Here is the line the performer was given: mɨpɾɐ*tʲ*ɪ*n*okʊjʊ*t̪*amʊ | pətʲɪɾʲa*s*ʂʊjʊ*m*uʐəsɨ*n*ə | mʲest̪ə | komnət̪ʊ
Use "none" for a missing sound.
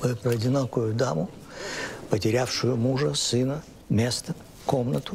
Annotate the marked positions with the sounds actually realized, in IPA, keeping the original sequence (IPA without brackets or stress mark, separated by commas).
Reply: dʲ, n, d̪, f, m, n